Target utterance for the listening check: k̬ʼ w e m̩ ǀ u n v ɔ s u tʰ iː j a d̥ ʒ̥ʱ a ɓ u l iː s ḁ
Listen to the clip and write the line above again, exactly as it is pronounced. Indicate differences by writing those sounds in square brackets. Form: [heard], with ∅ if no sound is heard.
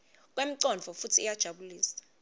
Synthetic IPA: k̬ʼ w e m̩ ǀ [ɔ] n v ɔ [f] u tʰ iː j a d̥ ʒ̥ʱ a ɓ u l iː s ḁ